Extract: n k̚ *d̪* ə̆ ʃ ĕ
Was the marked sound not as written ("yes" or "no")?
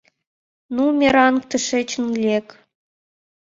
yes